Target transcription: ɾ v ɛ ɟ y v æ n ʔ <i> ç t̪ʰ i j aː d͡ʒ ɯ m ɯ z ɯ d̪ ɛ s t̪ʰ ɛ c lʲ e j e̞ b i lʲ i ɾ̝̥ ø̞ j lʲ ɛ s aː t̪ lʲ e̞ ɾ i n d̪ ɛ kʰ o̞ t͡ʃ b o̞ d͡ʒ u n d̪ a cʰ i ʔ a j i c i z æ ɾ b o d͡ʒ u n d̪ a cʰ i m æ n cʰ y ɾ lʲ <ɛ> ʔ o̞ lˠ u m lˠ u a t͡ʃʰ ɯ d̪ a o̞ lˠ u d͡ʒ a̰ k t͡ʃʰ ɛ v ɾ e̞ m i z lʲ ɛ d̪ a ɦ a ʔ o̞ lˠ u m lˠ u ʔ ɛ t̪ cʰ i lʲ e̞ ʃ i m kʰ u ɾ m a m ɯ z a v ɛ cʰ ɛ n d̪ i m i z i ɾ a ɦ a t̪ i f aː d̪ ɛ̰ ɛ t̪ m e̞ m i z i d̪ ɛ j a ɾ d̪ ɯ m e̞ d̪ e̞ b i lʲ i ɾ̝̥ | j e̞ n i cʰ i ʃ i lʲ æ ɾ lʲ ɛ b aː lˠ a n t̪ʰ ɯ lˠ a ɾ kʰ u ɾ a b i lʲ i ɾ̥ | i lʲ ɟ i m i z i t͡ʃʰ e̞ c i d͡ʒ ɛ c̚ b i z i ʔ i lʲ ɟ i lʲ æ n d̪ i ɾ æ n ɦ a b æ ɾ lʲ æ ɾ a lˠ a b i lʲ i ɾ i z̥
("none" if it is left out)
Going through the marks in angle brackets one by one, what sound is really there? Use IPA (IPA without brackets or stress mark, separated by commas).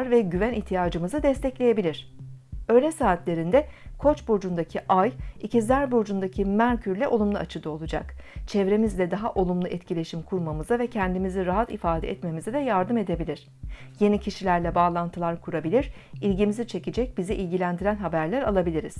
i, ɛ